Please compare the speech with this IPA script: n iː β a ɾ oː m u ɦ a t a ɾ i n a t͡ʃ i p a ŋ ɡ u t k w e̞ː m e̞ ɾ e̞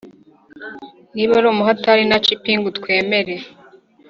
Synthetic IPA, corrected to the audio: n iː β a ɾ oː m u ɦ a t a ɾ i n a t͡ʃ i p i ŋ ɡ u t k w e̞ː m e̞ ɾ e̞